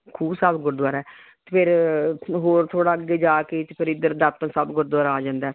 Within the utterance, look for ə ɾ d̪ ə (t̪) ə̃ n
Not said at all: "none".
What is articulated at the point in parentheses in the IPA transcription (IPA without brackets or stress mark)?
t̪